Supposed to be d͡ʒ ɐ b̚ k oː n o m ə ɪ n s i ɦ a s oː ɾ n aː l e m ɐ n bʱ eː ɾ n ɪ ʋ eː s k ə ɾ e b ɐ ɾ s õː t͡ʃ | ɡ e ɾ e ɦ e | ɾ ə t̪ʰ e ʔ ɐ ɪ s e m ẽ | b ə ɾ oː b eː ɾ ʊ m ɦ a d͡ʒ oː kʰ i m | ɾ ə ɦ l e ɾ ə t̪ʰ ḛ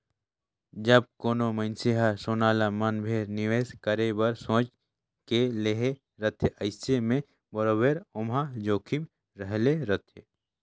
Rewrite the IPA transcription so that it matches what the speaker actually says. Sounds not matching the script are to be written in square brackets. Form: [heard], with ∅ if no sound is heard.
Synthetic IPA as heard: d͡ʒ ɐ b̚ k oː n o m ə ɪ n s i ɦ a s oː [∅] n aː l [a] m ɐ n bʱ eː ɾ n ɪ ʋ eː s k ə ɾ e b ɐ ɾ s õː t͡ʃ | [k] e [l] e ɦ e | ɾ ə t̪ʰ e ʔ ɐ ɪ s e m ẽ | b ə ɾ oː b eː ɾ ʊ m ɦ a d͡ʒ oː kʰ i m | ɾ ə ɦ l e ɾ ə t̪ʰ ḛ